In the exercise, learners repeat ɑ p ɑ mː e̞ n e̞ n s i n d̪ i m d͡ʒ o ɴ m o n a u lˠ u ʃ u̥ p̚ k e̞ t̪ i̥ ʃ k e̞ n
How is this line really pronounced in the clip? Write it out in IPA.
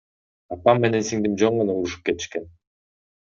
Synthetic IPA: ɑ p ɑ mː e̞ n e̞ n s i ŋ d̪ i m d͡ʒ o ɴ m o n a u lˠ u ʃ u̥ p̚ k e̞ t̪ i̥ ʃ k e̞ n